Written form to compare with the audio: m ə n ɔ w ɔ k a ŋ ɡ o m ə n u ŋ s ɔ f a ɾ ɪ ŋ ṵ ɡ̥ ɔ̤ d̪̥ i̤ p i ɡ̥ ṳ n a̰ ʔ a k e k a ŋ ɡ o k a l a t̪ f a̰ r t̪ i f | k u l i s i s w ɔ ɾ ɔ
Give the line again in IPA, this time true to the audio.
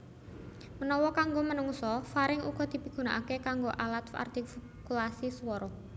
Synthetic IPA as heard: m ə n ɔ w ɔ k a ŋ ɡ o m ə n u ŋ s ɔ f a ɾ ɪ ŋ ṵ ɡ̥ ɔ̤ d̪̥ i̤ p i ɡ̥ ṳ n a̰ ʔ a k e k a ŋ ɡ o ʔ a l a t̪ f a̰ r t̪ i f | k u l a s i s w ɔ ɾ ɔ

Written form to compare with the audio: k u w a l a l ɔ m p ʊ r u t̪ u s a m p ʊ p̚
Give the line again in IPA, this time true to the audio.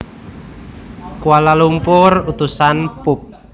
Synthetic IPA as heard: k u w a l a l u m p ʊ r u t̪ u s a n p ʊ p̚

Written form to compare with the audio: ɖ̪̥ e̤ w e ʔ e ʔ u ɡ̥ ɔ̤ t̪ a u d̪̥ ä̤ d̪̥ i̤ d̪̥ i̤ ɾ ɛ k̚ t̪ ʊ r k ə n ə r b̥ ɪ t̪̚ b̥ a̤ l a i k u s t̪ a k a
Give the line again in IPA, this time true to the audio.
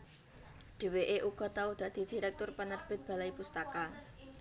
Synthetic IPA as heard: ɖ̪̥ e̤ w e ʔ e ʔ u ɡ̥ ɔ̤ t̪ a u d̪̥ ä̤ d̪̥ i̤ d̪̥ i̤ ɾ ɛ k̚ t̪ ʊ r p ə n ə r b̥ ɪ t̪̚ b̥ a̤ l a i p u s t̪ a k a

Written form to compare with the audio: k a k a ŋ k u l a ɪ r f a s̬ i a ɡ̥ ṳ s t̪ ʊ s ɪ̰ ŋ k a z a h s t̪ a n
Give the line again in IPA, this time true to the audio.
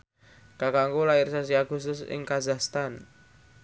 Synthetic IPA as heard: k a k a ŋ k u l a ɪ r s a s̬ i a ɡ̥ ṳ s t̪ ʊ s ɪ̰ ŋ k a z a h s t̪ a n

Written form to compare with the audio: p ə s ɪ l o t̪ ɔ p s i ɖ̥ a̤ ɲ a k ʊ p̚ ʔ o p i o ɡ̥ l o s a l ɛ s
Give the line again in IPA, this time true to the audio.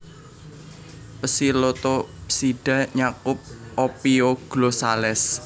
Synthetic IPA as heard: p ə s i l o t̪ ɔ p s i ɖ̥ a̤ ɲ a k ʊ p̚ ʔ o p i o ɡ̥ l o s a l ɛ s

